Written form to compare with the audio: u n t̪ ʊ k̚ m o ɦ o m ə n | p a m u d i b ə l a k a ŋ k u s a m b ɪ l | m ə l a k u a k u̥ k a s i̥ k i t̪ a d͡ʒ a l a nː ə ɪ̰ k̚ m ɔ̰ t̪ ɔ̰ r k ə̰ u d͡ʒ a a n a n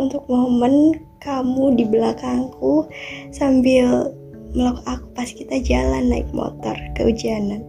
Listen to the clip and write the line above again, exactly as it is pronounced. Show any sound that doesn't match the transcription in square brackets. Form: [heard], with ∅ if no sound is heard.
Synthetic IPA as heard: u n t̪ ʊ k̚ m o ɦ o m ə n | [k] a m u d i b ə l a k a ŋ k u s a m b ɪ l | m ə l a k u a k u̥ [p] a s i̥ k i t̪ a d͡ʒ a l a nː [a] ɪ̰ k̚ m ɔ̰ t̪ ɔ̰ r k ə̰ u d͡ʒ [i] a n a n